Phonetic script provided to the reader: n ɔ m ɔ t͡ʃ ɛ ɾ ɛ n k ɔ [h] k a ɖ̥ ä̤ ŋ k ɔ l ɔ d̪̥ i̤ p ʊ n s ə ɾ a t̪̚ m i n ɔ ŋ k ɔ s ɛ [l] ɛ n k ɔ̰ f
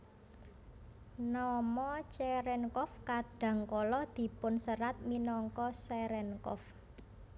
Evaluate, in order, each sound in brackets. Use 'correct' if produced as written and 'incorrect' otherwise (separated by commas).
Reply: incorrect, incorrect